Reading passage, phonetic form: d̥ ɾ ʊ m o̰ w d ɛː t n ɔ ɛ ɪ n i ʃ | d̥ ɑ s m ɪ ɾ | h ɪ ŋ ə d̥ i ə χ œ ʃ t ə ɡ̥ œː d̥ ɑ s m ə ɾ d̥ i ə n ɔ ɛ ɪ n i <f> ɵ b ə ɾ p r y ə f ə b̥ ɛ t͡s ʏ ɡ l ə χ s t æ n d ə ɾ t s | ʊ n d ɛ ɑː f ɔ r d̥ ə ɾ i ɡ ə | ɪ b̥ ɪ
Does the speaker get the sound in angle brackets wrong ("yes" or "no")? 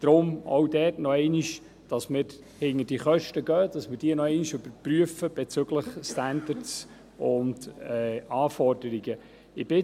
yes